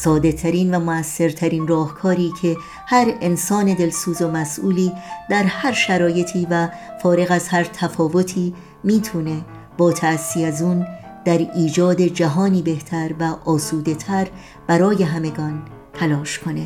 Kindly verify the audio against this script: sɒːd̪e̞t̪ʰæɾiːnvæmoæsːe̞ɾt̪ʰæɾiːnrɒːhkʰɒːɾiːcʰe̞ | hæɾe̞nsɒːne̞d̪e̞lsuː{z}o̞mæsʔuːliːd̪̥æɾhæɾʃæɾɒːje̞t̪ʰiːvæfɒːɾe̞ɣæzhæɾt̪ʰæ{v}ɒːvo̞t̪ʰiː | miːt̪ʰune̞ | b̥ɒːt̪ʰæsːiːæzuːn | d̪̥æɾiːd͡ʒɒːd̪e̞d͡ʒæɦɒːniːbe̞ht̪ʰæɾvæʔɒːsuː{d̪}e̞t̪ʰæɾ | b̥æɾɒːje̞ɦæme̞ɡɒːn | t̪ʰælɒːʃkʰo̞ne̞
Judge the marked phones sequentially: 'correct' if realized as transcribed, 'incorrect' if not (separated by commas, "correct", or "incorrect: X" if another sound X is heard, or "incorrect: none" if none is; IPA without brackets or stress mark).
correct, incorrect: f, correct